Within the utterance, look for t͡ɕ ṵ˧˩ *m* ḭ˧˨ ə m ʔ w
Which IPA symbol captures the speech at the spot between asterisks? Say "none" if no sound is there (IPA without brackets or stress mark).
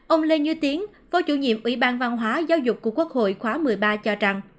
ɲ